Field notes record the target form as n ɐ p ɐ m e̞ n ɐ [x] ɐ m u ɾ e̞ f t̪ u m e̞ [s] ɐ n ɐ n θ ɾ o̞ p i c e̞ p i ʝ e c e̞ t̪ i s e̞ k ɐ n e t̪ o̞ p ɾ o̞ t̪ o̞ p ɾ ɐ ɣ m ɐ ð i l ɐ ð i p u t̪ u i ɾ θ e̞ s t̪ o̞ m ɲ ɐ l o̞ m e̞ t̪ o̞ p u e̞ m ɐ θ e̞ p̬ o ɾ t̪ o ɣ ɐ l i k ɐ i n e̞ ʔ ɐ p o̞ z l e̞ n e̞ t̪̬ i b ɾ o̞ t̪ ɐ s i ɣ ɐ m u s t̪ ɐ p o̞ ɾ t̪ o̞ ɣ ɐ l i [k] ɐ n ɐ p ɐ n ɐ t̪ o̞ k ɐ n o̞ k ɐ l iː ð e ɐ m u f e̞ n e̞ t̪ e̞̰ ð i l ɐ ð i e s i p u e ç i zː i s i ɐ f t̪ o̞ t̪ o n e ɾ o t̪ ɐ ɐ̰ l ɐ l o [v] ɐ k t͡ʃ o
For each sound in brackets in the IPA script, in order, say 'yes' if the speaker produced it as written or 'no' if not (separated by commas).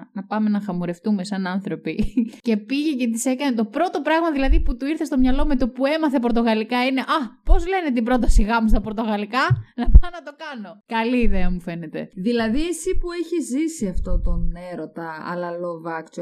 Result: yes, yes, yes, yes